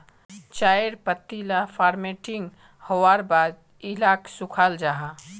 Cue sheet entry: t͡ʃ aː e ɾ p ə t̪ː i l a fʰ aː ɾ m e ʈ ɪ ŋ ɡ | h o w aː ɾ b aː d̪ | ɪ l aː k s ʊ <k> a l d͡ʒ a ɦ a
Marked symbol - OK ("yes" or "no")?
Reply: no